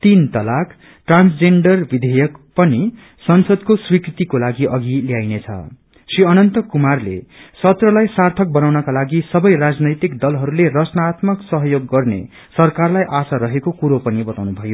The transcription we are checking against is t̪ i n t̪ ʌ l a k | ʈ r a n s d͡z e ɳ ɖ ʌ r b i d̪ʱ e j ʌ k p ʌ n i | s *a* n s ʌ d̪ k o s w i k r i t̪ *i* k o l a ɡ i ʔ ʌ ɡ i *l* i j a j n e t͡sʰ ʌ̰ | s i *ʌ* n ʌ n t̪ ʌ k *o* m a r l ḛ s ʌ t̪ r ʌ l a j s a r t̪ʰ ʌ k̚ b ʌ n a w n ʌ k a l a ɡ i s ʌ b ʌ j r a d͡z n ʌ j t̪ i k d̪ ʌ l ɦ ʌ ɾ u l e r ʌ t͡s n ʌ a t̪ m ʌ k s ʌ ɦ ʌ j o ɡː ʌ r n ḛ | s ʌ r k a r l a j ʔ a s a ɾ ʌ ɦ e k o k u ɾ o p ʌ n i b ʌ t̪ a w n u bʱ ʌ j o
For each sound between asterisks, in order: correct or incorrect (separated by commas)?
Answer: incorrect, correct, correct, correct, incorrect